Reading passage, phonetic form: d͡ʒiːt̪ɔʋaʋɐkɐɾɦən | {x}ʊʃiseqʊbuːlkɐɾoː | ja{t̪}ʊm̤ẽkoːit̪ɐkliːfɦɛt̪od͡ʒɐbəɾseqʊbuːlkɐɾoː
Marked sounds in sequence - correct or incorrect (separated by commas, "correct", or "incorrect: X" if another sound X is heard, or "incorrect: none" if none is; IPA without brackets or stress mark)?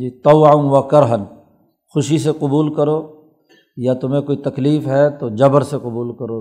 correct, correct